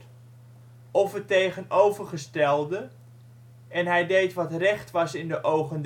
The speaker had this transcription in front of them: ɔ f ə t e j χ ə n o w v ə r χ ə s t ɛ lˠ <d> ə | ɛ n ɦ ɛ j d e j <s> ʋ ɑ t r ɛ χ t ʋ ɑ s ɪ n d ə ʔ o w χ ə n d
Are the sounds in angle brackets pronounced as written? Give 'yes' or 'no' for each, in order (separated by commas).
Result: yes, no